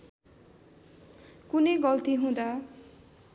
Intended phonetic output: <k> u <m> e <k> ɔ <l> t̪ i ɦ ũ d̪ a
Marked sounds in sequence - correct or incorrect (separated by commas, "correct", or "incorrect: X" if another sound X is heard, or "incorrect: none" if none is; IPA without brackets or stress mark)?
correct, incorrect: n, incorrect: ɡ, correct